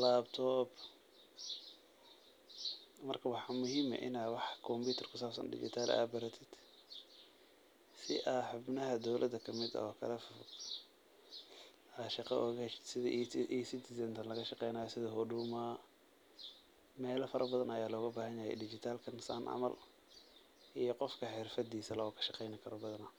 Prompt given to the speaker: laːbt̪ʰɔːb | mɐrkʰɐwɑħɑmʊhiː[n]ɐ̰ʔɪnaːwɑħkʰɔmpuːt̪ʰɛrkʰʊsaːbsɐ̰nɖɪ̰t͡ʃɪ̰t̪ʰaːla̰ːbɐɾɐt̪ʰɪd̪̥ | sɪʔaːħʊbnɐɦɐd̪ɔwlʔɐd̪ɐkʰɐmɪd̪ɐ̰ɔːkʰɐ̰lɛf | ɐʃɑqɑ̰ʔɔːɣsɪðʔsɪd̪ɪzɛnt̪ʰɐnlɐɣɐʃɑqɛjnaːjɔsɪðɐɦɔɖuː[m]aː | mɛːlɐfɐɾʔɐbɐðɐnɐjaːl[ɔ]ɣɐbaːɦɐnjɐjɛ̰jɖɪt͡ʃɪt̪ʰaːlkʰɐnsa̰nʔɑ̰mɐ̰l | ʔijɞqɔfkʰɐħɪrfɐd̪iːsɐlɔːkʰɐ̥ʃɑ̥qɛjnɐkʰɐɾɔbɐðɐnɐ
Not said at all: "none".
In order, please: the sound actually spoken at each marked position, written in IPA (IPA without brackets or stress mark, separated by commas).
m, m, ɔː